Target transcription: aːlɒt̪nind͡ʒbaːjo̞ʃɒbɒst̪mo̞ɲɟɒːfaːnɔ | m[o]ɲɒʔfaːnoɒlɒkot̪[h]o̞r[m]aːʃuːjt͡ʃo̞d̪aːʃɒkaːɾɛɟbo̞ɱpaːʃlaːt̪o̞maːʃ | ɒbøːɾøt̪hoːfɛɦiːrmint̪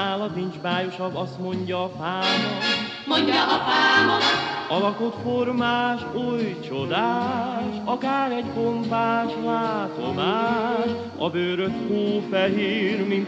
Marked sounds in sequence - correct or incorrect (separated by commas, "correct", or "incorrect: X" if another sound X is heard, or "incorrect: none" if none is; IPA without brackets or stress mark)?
correct, incorrect: f, correct